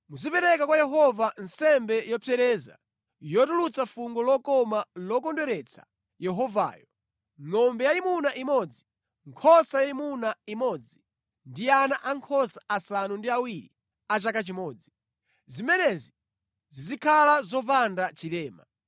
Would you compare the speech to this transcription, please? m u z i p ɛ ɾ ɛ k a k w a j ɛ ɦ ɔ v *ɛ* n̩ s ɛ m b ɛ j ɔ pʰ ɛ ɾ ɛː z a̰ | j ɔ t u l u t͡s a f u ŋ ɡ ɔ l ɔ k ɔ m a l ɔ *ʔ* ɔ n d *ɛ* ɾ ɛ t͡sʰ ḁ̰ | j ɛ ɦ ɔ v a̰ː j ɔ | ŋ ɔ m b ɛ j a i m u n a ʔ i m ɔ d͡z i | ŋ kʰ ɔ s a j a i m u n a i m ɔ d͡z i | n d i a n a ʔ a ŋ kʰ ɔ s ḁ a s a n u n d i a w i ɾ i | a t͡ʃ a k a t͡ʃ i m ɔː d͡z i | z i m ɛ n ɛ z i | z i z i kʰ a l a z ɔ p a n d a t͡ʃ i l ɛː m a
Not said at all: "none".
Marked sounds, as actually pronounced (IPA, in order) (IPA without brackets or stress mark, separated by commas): a, k, ɛ